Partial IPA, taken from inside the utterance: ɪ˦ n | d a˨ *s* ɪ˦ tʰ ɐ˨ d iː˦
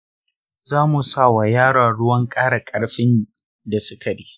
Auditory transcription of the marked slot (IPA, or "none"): s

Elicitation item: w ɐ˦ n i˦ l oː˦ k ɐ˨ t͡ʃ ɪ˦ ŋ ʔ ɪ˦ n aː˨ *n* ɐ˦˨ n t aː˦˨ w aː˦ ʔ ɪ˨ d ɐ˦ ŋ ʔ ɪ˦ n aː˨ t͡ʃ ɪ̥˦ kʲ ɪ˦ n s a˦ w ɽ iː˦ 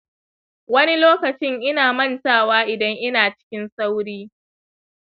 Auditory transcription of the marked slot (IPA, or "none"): m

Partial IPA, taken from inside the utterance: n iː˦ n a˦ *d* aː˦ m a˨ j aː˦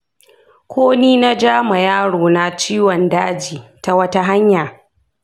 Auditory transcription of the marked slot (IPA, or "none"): d͡ʒ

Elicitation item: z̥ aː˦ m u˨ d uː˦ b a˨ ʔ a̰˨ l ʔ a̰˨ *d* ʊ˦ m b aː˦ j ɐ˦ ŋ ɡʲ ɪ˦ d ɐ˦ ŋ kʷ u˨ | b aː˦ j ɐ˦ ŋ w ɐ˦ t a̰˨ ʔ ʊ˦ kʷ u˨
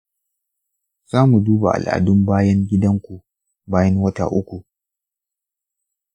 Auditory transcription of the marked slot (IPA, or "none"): d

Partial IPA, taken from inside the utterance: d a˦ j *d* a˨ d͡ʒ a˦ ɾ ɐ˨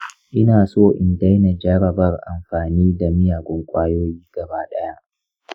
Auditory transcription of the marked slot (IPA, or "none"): n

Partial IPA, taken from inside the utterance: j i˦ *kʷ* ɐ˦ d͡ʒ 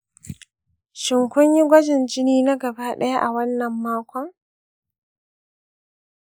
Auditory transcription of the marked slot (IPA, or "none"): ɡʷ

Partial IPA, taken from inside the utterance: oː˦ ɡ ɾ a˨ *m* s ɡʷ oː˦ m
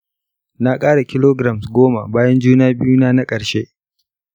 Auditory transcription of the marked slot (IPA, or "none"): m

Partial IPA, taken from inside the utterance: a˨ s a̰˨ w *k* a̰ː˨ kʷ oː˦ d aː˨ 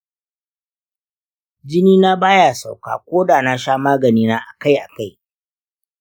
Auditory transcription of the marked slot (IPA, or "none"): k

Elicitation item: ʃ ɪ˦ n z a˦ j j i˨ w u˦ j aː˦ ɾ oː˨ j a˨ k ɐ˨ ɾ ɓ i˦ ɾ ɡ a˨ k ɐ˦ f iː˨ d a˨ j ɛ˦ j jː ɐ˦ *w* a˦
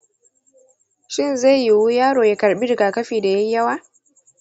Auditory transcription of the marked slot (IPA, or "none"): w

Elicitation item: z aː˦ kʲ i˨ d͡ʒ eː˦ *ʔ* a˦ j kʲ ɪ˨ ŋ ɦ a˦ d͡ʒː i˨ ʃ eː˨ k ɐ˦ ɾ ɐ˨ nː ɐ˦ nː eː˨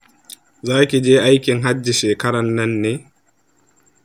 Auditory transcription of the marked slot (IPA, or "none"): ʔ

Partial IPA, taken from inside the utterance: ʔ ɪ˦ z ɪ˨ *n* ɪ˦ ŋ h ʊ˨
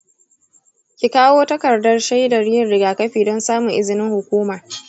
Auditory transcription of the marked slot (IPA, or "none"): n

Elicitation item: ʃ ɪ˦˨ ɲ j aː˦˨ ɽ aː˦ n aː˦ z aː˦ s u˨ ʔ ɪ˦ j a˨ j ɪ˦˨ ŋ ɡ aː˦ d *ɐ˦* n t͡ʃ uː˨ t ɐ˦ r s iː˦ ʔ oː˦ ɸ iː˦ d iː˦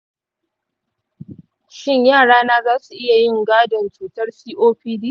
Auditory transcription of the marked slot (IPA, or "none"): ɐ˨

